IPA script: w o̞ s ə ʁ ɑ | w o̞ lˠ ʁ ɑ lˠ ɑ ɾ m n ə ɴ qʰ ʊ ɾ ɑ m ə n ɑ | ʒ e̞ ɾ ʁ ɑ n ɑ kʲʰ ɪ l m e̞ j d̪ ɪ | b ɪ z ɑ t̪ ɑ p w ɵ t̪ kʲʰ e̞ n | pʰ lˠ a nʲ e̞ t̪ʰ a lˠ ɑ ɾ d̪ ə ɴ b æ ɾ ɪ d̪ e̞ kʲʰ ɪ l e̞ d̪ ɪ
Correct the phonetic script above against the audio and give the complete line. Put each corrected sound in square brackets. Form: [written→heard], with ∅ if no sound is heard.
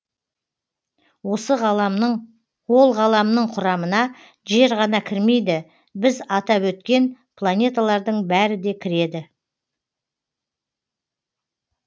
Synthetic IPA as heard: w o̞ s ə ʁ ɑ | w o̞ lˠ ʁ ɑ lˠ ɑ [ɾ→∅] m n ə ɴ qʰ ʊ ɾ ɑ m ə n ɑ | ʒ e̞ ɾ ʁ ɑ n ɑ kʲʰ ɪ [l→ɾ] m e̞ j d̪ ɪ | b ɪ z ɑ t̪ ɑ p w ɵ t̪ [kʲʰ→kʲ] e̞ n | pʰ lˠ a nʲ e̞ [t̪ʰ→t̪] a lˠ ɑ ɾ d̪ ə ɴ b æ ɾ ɪ d̪ e̞ kʲʰ ɪ [l→ɾ] e̞ d̪ ɪ